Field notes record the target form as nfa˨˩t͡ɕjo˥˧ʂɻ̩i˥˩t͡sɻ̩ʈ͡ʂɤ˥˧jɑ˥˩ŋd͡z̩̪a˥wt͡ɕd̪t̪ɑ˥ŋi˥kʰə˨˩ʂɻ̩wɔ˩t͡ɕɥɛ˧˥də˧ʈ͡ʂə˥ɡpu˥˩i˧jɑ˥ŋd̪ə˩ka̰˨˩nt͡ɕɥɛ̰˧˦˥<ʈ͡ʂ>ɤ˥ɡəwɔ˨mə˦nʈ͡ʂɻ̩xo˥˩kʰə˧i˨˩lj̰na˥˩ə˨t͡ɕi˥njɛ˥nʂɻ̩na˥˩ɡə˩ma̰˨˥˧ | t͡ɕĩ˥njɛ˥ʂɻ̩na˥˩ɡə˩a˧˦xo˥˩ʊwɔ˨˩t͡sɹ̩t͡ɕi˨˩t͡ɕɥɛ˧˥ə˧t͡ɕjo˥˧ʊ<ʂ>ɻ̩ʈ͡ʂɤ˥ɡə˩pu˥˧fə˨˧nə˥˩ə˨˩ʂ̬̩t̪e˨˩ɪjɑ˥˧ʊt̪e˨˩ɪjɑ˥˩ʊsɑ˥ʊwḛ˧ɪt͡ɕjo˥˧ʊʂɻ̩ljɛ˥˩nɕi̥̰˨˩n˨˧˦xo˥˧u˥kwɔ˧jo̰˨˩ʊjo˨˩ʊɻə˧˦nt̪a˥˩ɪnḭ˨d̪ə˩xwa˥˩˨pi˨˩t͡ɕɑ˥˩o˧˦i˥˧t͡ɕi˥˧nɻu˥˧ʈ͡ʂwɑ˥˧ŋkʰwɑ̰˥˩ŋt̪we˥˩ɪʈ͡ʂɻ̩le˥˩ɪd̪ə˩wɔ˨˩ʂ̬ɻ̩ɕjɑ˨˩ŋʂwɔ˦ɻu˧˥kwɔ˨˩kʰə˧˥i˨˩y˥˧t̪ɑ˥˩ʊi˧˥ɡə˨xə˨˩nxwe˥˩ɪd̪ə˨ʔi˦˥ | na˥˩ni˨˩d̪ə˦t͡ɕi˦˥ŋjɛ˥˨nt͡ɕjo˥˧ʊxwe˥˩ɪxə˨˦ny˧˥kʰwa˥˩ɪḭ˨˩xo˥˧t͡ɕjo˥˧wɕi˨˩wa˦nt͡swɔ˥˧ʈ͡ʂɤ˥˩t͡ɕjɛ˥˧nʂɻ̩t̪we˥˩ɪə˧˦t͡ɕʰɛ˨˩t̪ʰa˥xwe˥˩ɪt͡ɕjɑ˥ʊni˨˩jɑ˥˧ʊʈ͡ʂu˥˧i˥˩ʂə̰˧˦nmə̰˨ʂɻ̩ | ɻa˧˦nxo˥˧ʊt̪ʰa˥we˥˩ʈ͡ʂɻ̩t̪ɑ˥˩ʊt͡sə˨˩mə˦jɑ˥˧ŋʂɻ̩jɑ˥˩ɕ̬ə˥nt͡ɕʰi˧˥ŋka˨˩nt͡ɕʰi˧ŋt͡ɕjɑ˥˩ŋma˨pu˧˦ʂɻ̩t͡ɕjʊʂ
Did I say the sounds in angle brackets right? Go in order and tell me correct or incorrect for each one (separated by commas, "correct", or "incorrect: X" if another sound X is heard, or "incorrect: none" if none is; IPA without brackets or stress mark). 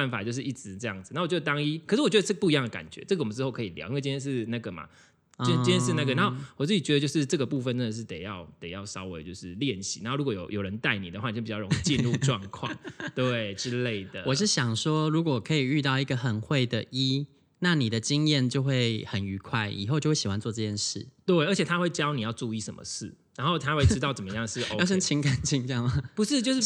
correct, correct